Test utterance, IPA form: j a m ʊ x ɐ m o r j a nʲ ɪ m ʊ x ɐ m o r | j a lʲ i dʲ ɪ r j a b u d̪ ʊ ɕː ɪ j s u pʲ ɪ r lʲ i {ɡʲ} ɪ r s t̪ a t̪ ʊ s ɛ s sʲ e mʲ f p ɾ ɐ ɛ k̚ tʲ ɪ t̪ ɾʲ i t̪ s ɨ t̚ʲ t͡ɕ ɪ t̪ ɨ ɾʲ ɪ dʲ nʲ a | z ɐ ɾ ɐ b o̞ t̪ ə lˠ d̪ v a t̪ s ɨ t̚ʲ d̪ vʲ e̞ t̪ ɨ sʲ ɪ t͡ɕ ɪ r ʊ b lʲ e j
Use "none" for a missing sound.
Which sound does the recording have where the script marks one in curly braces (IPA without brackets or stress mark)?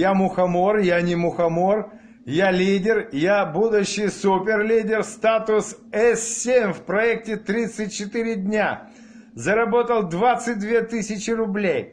dʲ